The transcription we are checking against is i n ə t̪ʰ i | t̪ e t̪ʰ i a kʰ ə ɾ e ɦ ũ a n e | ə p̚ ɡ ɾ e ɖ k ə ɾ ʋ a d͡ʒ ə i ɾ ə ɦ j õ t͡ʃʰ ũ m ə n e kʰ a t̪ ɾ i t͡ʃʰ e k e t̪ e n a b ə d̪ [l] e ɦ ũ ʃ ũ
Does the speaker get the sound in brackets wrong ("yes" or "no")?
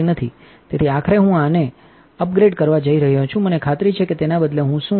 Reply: no